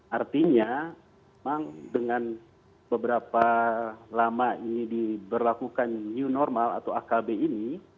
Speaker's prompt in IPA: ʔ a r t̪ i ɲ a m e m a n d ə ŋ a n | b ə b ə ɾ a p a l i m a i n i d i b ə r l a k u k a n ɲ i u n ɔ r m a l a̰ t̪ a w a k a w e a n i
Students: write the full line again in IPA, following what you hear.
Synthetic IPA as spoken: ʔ a r t̪ i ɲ a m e m a ŋ d ə ŋ a n | b ə b ə ɾ a p a l a m a i n i d i b ə r l a k u k a n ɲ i u n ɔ r m a l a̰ t̪ a w a k a b e i n i